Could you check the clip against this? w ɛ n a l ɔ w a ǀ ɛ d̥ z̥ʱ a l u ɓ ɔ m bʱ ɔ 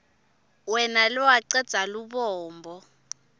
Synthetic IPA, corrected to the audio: w ɛ n a l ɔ w a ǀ ɛ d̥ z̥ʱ a l u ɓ ɔː m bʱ ɔ